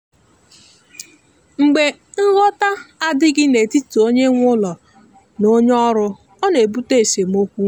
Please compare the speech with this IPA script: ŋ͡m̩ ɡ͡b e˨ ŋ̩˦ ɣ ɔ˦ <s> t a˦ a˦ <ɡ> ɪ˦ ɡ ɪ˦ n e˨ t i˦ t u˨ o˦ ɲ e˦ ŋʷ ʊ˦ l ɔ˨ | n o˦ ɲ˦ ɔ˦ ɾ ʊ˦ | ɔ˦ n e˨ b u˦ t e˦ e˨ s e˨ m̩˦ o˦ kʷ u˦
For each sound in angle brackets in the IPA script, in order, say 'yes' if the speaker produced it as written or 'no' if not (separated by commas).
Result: no, no